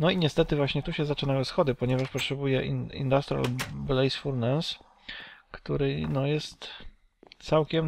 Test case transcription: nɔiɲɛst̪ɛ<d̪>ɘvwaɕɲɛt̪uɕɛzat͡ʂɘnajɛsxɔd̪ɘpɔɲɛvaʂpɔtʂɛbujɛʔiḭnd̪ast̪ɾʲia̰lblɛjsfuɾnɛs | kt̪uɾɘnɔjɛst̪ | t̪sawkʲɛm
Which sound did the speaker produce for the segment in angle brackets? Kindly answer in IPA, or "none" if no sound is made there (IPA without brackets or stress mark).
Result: t̪